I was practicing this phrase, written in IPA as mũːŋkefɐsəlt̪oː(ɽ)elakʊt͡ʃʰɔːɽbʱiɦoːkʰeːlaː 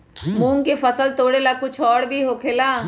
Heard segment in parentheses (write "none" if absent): ɽ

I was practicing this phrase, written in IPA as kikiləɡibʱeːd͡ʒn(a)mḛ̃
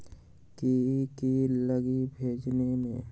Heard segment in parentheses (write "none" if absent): e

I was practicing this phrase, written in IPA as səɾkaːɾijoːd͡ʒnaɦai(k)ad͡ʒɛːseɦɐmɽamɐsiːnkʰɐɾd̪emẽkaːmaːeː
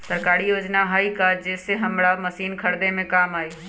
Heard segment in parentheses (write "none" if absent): k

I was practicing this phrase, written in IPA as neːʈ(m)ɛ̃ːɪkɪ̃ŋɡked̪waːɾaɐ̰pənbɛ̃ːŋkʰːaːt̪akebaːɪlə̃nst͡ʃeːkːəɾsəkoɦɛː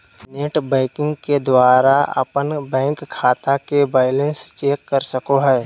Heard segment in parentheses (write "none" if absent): b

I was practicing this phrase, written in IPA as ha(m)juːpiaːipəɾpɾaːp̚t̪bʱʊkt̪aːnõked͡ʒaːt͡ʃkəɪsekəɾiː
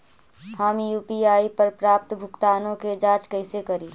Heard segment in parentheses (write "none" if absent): m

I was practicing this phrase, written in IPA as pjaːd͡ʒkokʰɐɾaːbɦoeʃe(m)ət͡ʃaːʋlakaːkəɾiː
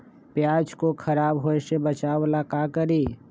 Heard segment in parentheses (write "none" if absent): b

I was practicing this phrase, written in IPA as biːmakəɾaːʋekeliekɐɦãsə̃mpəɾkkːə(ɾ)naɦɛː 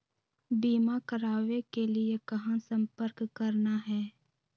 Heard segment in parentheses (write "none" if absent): ɾ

